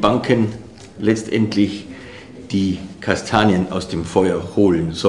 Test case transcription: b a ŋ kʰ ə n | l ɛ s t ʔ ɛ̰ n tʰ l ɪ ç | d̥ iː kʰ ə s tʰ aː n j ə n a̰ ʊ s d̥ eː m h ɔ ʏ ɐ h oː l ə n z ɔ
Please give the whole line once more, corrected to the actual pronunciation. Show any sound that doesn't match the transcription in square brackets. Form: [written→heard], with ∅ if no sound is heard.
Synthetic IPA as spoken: b a ŋ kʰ ə n | l ɛ [s→t͡s] t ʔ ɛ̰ n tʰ l ɪ ç | d̥ iː kʰ [ə→a] s tʰ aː n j ə n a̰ ʊ s d̥ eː m [h→f] ɔ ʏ ɐ h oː l ə n z ɔ

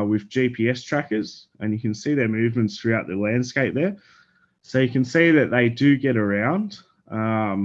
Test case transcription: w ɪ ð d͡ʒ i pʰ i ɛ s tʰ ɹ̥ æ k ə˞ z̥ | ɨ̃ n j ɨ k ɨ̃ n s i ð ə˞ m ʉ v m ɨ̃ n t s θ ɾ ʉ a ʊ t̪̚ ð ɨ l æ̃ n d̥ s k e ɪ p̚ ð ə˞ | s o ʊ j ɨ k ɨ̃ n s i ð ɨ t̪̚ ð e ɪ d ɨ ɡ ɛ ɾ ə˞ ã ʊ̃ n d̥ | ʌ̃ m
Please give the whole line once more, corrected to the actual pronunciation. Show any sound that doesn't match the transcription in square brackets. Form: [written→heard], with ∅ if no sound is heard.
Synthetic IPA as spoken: w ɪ ð d͡ʒ i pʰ i ɛ s tʰ ɹ̥ æ k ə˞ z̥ | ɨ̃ n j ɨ k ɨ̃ n s i ð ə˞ m ʉ v m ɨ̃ n t s θ [ɾ→ɹ] ʉ a ʊ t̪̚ ð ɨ l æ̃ n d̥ s k e ɪ p̚ ð ə˞ | s o ʊ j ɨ k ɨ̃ n s i ð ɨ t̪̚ ð e ɪ d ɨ ɡ ɛ ɾ ə˞ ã ʊ̃ n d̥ | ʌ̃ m

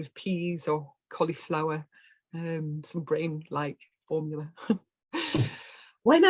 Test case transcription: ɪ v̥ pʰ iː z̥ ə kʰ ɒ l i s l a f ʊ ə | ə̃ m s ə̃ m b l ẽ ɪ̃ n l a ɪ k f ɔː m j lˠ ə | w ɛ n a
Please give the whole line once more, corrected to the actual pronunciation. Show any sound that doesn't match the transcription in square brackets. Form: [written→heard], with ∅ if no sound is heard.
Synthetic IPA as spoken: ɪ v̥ pʰ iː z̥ ə kʰ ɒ l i [s→f] l a [f→∅] ʊ ə | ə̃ m s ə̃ m b [l→ɹ] ẽ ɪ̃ n l a ɪ k f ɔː m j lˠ ə | w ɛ n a

